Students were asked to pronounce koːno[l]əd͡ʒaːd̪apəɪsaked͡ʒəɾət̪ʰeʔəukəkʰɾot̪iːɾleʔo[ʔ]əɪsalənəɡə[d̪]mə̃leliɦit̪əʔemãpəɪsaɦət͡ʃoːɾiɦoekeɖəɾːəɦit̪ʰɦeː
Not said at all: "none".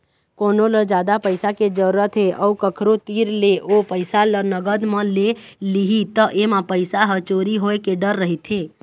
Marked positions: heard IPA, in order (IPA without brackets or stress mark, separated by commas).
l, p, d̪